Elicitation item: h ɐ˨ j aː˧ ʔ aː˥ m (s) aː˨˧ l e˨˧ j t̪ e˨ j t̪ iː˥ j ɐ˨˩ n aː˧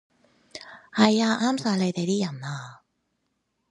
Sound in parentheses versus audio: correct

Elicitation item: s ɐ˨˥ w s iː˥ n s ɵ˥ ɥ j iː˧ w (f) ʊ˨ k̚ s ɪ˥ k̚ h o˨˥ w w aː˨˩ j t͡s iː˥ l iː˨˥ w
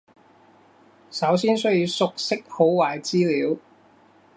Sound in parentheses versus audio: incorrect: s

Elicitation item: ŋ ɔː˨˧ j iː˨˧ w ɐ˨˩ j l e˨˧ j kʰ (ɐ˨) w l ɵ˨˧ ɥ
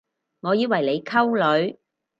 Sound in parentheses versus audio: incorrect: ɐ˥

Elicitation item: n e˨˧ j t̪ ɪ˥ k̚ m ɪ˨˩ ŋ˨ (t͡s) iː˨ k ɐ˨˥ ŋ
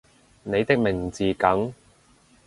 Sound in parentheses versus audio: correct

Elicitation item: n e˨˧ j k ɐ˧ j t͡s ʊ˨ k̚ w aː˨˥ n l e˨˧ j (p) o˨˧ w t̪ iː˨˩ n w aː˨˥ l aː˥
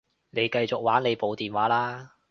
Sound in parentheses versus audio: correct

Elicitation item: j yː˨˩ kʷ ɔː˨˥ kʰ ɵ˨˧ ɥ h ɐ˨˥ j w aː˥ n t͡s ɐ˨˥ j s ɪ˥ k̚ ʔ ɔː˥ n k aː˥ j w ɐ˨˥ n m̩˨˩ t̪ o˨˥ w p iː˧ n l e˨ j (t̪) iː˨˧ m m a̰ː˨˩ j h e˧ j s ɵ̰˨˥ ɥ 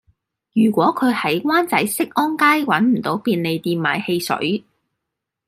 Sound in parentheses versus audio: correct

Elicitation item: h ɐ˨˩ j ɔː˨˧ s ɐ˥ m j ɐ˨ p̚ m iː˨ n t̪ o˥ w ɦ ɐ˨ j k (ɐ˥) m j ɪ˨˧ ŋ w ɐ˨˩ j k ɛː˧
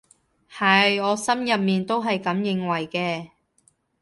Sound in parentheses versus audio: incorrect: ɐ˨˧˥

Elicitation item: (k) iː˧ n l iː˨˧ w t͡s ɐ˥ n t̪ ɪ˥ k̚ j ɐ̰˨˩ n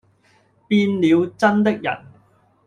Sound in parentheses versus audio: incorrect: p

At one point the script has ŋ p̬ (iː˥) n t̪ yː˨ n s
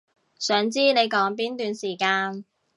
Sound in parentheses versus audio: correct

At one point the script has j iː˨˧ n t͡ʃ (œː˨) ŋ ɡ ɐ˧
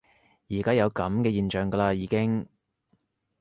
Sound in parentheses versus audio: correct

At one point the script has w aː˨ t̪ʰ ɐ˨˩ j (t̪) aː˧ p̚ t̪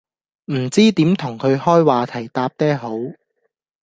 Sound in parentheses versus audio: correct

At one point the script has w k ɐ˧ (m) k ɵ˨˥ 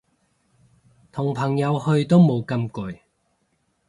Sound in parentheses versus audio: correct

